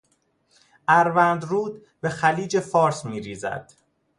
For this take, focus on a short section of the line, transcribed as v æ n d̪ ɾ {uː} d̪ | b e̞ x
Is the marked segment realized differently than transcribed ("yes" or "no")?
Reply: no